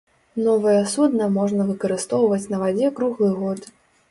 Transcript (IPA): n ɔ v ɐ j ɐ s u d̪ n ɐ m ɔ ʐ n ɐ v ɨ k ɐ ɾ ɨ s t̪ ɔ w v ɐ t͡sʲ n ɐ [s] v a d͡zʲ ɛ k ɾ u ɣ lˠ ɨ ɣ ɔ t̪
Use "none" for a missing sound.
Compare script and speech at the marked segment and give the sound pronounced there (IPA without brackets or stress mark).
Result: none